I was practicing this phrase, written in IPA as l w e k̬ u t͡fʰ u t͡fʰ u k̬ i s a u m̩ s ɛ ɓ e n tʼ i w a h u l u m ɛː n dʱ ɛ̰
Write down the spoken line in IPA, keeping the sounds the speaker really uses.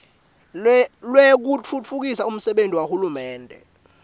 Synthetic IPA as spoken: l w e k̬ u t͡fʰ u t͡fʰ u k̬ i s a u m̩ s ɛ ɓ e n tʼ i w a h u l u m ɛː n dʱ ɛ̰

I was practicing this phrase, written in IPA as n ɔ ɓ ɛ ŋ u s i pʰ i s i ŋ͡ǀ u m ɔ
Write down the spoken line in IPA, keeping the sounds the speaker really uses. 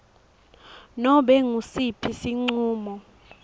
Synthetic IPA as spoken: n ɔ ɓ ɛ ŋ u s i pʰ i s i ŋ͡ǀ uː m ɔ

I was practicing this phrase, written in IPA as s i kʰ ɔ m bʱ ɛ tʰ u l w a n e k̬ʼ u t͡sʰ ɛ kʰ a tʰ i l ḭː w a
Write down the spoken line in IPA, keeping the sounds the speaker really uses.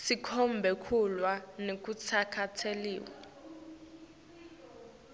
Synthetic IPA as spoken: s i kʰ ɔ m bʱ ɛ kʰ u l w a n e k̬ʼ u t͡sʰ a kʰ a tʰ e l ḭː w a

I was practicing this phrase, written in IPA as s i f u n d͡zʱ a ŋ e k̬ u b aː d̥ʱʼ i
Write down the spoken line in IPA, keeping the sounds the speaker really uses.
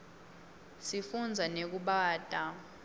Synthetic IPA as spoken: s i f u n d͡zʱ a n e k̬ u ɓ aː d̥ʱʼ a

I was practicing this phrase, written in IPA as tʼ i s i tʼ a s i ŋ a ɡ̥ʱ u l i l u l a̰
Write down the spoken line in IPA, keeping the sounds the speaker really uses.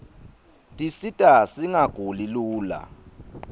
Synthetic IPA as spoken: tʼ i s i tʼ a s i ŋ a ɡ̥ʱ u l i l uː l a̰

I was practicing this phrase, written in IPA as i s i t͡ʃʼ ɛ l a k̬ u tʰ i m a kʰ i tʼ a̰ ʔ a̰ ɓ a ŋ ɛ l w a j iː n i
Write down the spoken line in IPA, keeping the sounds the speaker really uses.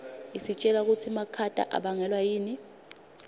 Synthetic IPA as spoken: i s i t͡ʃʼ ɛ l a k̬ u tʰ i m a kʰ a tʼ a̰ ʔ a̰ ɓ a ŋ ɛ l w a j iː n i

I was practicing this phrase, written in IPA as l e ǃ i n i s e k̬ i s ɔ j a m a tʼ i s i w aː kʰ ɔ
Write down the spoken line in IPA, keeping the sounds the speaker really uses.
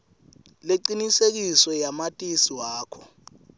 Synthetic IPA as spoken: l e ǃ i n i s e k̬ i s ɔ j a m a tʼ i s i w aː kʰ ɔ

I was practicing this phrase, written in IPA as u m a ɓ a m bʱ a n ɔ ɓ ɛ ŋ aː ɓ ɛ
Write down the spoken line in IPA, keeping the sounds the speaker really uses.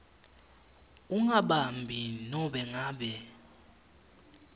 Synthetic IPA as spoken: u ŋ a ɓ a m bʱ i n ɔ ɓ ɛ ŋ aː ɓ ɛ

